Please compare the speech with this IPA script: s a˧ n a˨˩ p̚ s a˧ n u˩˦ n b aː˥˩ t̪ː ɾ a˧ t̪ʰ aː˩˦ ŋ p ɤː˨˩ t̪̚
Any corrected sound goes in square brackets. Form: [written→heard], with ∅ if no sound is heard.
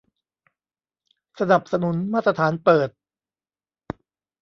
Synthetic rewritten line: s a˧ n a˨˩ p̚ s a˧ n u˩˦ n [b→m] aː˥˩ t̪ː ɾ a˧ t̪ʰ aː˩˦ [ŋ→n] p ɤː˨˩ t̪̚